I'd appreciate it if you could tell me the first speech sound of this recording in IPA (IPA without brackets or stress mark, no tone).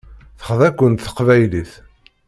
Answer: θ